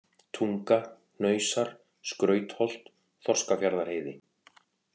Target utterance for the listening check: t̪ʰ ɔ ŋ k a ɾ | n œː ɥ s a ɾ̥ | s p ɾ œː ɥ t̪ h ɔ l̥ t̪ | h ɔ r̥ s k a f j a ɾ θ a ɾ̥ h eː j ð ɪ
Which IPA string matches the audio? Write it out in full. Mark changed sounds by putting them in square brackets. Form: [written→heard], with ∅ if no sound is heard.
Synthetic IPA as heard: t̪ʰ [ɔ→u] ŋ k a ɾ | n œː ɥ s a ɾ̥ | s [p→k] ɾ œː ɥ t̪ h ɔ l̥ t̪ | [h→θ] ɔ r̥ s k a f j a ɾ [θ→ð] a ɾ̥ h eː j ð ɪ